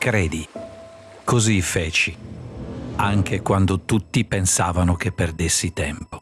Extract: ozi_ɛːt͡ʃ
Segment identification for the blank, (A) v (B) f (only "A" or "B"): B